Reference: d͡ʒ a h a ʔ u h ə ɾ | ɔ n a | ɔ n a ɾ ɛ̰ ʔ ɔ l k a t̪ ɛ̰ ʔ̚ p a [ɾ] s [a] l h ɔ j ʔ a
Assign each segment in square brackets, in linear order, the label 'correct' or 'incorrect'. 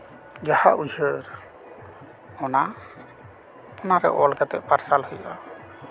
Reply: correct, correct

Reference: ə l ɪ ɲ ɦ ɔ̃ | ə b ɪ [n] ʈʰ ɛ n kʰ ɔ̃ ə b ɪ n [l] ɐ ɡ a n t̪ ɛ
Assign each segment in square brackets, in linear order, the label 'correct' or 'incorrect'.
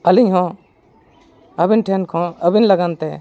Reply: correct, correct

